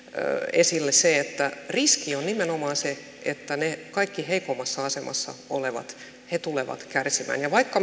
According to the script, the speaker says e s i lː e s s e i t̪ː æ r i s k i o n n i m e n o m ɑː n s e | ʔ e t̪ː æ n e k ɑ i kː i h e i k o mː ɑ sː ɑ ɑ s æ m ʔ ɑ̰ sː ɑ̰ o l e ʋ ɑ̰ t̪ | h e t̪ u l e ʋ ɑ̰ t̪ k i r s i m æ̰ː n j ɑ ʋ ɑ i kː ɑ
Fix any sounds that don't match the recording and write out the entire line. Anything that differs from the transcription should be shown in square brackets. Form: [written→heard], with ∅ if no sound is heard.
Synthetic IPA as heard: e s i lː e s s e [i→e] t̪ː æ r i s k i o n n i m e n o m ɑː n s e | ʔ e t̪ː æ n e k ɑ i kː i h e i k o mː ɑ sː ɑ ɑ s [æ→e] m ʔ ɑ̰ sː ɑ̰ o l e ʋ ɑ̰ t̪ | h e t̪ u l e ʋ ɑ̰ t̪ k [i→æ] r s i m æ̰ː n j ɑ ʋ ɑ i kː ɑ

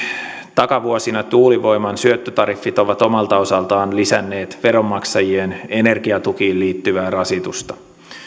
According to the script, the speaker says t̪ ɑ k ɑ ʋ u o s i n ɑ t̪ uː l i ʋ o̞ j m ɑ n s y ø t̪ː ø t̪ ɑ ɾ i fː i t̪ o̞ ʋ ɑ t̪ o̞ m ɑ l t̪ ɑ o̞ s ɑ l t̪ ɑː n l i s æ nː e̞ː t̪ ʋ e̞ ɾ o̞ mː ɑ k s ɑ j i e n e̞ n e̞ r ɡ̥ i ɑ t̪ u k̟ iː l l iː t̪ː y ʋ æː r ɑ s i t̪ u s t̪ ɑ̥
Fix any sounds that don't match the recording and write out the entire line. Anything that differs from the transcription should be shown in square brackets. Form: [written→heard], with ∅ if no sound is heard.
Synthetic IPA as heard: t̪ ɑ k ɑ ʋ u o s i n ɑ t̪ uː l i ʋ o̞ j m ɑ n s y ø t̪ː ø t̪ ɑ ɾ i fː i t̪ o̞ ʋ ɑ t̪ o̞ m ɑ l t̪ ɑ o̞ s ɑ l t̪ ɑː n l i s æ nː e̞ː t̪ ʋ e̞ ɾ o̞ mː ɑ k s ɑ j i e n e̞ n e̞ r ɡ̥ i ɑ t̪ u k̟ iː l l iː t̪ː y ʋ æː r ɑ s i t̪ u s t̪ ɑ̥

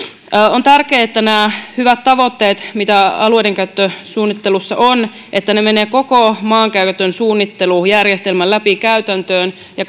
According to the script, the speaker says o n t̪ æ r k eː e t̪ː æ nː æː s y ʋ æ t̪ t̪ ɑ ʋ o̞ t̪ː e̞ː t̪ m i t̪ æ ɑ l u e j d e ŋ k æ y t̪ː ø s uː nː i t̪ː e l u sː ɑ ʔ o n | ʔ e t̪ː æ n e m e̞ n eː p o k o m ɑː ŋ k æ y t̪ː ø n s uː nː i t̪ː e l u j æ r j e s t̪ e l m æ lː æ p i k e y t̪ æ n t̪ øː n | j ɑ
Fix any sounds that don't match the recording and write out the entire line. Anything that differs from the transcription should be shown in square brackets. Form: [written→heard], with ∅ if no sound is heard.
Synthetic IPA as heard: o n t̪ æ r k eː e t̪ː æ [nː→n] æː [s→h] y ʋ æ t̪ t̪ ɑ ʋ o̞ t̪ː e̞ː t̪ m i t̪ æ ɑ l u e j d e ŋ k æ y t̪ː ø s uː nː i t̪ː e l u sː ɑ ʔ o n | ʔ e t̪ː æ n e m e̞ n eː [p→k] o k o m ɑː ŋ k æ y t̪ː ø n s uː nː i t̪ː e l u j æ r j e s t̪ e l m æ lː æ p i k [e→æ] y t̪ æ n t̪ øː n | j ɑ

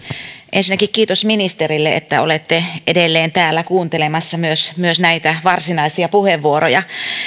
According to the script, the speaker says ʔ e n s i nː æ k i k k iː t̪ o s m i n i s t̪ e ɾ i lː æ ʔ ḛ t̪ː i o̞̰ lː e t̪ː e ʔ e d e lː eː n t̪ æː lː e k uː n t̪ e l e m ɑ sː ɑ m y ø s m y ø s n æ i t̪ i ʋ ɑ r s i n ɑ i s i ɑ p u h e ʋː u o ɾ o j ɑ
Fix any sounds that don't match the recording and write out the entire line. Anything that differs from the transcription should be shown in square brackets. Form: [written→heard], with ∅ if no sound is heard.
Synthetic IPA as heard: ʔ e n s i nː æ k i k k iː t̪ o s m i n i s t̪ e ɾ i lː [æ→e] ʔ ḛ t̪ː [i→æ] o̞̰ [lː→l] e t̪ː e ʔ e d e lː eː n t̪ æː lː [e→æ] k uː n t̪ e l e m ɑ sː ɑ m y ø s m y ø s n æ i t̪ [i→æ] ʋ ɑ r s i n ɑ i s i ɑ p u h e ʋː u o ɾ o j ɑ

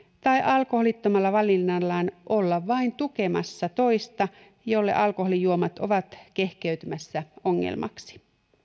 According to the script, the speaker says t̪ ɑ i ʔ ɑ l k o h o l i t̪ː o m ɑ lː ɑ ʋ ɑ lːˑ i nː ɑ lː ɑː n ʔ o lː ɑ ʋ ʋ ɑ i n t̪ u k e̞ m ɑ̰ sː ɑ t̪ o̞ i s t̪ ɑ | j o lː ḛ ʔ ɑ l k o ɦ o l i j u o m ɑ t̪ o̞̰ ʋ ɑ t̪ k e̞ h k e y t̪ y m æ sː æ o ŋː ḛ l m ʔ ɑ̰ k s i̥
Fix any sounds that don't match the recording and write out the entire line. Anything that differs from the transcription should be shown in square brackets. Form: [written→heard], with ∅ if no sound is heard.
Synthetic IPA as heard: t̪ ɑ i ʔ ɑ l k o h o l i t̪ː o m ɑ lː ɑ ʋ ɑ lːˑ i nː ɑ lː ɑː n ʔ o lː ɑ ʋ ʋ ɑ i n t̪ u k e̞ m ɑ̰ sː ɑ t̪ o̞ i s t̪ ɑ | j o lː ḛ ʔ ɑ l k o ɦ o l i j u o m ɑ t̪ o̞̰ ʋ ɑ t̪ k e̞ h k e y t̪ y m æ sː æ o ŋː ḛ l m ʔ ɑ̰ k s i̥

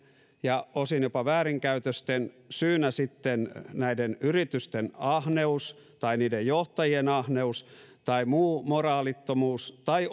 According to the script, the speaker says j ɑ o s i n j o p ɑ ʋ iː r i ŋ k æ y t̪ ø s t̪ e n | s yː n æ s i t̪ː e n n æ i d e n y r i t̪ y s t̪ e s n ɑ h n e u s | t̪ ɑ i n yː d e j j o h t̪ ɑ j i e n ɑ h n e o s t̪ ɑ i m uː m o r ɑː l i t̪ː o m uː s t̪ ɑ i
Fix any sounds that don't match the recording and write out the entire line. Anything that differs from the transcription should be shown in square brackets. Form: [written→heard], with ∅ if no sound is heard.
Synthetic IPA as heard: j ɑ o s i n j o p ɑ ʋ [iː→æː] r i ŋ k æ y t̪ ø s t̪ e n | s yː n æ s i t̪ː e n n æ i d e n y r i t̪ y s t̪ e [s→∅] n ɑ h n e u s | t̪ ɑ i n [yː→iː] d e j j o h t̪ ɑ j i e n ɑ h n e [o→u] s t̪ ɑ i m uː m o r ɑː l i t̪ː o m uː s t̪ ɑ i

